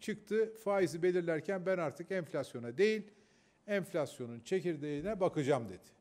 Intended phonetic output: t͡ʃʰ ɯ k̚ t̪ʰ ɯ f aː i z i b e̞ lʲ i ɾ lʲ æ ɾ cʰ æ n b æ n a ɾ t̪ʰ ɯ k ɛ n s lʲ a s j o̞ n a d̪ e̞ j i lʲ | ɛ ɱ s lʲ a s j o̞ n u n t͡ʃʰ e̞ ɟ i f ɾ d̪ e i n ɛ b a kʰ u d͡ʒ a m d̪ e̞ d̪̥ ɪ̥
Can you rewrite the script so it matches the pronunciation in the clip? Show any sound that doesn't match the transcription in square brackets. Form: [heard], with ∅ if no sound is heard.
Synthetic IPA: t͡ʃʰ ɯ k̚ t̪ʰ ɯ f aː i z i b e̞ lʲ i ɾ lʲ æ ɾ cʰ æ n b æ n a ɾ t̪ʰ ɯ k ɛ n [f] lʲ a s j o̞ n a d̪ e̞ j i lʲ | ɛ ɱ [f] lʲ a s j o̞ n u n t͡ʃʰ e̞ [c] i [∅] ɾ d̪ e i n ɛ b a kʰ [ɯ] d͡ʒ a m d̪ e̞ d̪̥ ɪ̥